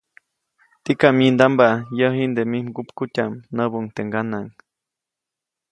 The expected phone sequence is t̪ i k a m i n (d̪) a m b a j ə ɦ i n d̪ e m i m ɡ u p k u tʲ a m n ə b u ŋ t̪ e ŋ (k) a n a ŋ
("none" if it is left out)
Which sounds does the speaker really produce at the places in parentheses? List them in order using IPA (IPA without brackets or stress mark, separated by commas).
d̪, ɡ